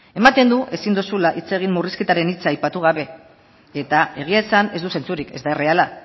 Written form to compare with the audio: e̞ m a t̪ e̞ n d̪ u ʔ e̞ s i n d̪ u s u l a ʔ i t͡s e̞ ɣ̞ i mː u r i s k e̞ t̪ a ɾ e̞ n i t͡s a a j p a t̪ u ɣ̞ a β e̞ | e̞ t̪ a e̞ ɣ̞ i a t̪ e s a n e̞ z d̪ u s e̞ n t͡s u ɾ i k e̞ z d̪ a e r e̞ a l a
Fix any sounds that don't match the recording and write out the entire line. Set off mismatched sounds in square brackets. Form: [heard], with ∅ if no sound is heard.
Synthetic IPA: e̞ m a t̪ e̞ n d̪ u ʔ e̞ s i n d̪ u s u l a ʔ i t͡s e̞ ɣ̞ i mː u r i s k e̞ t̪ a ɾ e̞ n i t͡s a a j p a t̪ u ɣ̞ a β e̞ | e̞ t̪ a e̞ ɣ̞ i a [∅] e s a n e̞ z d̪ u s e̞ n t͡s u ɾ i k e̞ z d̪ a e r e̞ a l a